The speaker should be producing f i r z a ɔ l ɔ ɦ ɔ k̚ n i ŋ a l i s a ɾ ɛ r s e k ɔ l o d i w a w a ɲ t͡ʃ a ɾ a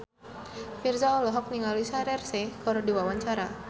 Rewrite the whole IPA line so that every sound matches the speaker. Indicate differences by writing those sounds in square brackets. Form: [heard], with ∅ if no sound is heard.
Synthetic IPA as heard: f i r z a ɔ l ɔ ɦ ɔ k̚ n i ŋ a l i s a ɾ ɛ r s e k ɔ [ɾ] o d i w a w a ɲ t͡ʃ a ɾ a